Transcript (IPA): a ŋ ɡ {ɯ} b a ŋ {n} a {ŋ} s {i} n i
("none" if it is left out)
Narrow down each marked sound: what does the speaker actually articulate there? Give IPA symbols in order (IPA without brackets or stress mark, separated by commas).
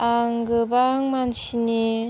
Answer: ɯ, m, n, i